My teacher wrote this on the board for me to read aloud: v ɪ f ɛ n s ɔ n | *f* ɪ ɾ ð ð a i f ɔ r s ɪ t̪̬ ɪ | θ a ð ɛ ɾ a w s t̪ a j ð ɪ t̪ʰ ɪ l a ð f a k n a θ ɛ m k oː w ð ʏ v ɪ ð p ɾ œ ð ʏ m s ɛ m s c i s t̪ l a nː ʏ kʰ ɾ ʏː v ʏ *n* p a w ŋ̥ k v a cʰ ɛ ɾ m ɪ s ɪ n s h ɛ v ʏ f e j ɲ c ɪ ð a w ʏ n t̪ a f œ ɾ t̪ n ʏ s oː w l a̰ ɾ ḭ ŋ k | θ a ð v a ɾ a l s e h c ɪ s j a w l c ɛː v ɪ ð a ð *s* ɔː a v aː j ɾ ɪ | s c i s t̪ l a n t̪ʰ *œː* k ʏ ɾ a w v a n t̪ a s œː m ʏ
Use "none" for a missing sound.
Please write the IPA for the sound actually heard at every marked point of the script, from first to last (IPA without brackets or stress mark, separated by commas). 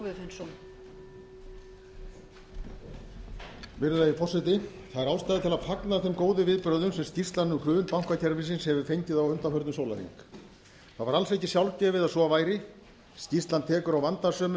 v, n, s, ɛː